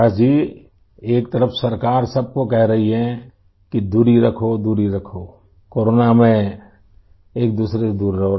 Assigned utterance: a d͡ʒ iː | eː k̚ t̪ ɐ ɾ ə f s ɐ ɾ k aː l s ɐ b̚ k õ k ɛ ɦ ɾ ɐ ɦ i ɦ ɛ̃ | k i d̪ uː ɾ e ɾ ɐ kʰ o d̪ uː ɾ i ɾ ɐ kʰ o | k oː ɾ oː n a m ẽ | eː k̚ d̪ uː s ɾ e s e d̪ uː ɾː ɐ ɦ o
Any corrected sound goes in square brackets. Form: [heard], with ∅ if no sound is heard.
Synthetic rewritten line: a d͡ʒ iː | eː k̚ t̪ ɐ ɾ ə f s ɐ ɾ k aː [ɾ] s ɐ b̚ k [o] k ɛ ɦ ɾ ɐ ɦ i ɦ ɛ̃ | k i d̪ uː ɾ [i] ɾ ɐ kʰ o d̪ uː ɾ i ɾ ɐ kʰ o | k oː ɾ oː n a m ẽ | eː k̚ d̪ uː s ɾ e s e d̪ uː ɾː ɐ ɦ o